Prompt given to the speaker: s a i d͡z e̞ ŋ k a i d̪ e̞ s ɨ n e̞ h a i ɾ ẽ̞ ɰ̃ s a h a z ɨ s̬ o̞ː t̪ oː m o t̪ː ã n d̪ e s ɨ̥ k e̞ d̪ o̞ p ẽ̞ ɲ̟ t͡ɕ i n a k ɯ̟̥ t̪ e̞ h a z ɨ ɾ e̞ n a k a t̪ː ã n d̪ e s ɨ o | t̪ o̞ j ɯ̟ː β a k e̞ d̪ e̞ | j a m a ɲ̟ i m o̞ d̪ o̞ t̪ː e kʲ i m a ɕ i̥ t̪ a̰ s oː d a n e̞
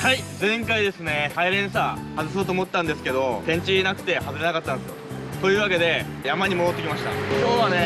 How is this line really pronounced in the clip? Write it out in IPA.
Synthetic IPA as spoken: h a i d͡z ẽ̞ ŋ k a i d̪ e̞ s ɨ n e̞ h a i ɾ ẽ̞ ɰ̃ s a h a z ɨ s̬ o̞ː t̪ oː m o t̪ː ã n d̪ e s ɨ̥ k e̞ d̪ o̞ p ẽ̞ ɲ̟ t͡ɕ i n a k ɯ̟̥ t̪ e̞ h a z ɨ ɾ e̞ n a k a t̪ː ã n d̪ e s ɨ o | t̪ o̞ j ɯ̟ː β a k e̞ d̪ e̞ | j a m a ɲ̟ i m o̞ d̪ o̞ t̪ː e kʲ i m a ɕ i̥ t̪ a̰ s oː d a n e̞

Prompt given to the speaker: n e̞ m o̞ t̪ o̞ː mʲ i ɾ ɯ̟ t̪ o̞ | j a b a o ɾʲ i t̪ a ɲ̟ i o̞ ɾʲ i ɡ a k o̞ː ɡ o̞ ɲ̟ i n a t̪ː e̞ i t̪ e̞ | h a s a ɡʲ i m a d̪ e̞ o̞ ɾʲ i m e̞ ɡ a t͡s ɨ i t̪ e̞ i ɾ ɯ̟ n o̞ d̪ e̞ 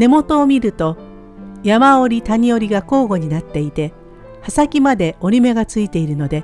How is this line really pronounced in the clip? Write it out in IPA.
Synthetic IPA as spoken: n e̞ m o̞ t̪ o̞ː mʲ i ɾ ɯ̟ t̪ o̞ | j a m a o ɾʲ i t̪ a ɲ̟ i o̞ ɾʲ i ɡ a k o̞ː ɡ o̞ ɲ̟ i n a t̪ː e̞ i t̪ e̞ | h a s a kʲ i m a d̪ e̞ o̞ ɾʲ i m e̞ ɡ a t͡s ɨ i t̪ e̞ i ɾ ɯ̟ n o̞ d̪ e̞

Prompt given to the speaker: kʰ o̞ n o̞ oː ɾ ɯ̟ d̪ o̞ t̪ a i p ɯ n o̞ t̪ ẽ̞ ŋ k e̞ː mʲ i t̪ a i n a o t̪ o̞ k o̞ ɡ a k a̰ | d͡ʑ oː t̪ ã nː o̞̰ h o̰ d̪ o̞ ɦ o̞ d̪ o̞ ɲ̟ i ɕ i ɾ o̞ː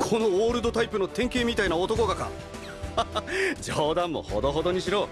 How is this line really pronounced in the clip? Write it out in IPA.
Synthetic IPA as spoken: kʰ o̞ n o̞ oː ɾ ɯ̟ d̪ o̞ t̪ a i p ɯ n o̞ t̪ ẽ̞ ŋ k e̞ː mʲ i t̪ a i n a o t̪ o̞ k o̞ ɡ a k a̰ | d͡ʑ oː d̪ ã mː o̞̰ h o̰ d̪ o̞ ɦ o̞ d̪ o̞ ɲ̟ i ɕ i ɾ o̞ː

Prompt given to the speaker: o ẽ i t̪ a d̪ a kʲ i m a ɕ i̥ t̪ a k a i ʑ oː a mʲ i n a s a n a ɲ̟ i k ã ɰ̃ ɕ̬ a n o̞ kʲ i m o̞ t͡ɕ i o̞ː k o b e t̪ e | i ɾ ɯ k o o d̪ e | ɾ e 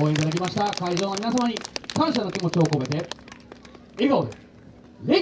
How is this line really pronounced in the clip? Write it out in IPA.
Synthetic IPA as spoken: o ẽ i t̪ a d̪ a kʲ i m a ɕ i̥ t̪ a k a i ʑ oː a mʲ i n a s a m a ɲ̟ i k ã ɰ̃ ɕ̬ a n o̞ kʲ i m o̞ t͡ɕ i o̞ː k o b e t̪ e | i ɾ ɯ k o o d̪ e | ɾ e

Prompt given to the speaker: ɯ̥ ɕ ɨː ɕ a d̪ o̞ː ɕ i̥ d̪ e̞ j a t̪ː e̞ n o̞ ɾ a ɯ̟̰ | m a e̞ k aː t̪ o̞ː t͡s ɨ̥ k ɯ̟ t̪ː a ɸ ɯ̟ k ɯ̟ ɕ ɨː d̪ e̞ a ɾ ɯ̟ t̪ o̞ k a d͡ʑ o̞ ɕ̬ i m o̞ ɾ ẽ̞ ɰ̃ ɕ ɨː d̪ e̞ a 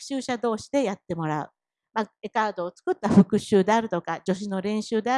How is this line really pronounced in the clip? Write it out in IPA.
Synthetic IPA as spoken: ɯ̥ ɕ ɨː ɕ a d̪ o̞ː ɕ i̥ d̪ e̞ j a t̪ː e̞ m o̞ ɾ a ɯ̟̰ | m a e̞ k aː d̪ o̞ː t͡s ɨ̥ k ɯ̟ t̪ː a ɸ ɯ̟ k ɯ̟ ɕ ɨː d̪ e̞ a ɾ ɯ̟ t̪ o̞ k a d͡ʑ o̞ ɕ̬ i n o̞ ɾ ẽ̞ ɰ̃ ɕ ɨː d̪ e̞ a

